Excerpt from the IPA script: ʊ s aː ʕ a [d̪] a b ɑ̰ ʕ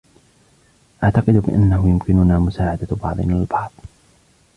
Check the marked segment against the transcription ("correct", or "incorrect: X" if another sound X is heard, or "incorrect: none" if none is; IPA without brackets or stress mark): correct